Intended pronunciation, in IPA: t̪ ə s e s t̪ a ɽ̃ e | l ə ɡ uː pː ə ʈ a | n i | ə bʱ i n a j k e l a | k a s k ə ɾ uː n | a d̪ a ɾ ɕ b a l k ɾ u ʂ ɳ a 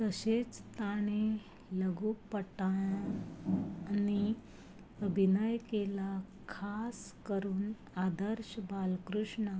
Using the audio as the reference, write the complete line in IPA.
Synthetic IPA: t̪ ə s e t͡s t̪ a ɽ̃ e | l ə ɡ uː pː ə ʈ a | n i | ə bʱ i n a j k e l a | kʰ a s k ə ɾ uː n | a d̪ ə ɾ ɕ b a l k ɾ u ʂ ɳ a

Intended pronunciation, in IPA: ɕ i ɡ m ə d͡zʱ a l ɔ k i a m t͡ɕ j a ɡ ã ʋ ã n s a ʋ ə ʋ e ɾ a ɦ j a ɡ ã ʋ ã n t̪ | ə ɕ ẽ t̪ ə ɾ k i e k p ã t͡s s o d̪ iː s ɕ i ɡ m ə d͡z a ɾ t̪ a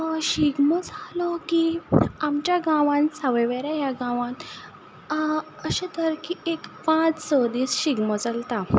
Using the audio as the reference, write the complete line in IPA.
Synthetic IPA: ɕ i ɡ m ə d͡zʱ a l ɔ k i a m t͡ɕ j a ɡ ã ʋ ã n s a ʋ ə ʋ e ɾ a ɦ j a ɡ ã ʋ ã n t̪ | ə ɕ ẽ t̪ ə ɾ k i e k p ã t͡s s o d̪ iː s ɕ i ɡ m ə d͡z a l t̪ a

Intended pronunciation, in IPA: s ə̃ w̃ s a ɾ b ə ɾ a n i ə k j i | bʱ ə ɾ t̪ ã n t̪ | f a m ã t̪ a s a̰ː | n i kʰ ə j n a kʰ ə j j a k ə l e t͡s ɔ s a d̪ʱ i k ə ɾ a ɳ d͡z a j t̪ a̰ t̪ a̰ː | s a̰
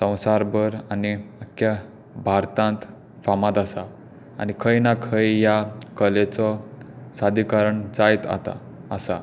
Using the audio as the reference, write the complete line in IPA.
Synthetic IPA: s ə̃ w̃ s a ɾ b ə ɾ a n i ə k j a | bʱ a ɾ t̪ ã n t̪ | f a m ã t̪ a s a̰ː | n i kʰ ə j n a kʰ ə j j a k ə l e t͡s ɔ s a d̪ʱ i k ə ɾ ə ɳ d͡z a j t̪ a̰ t̪ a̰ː | s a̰

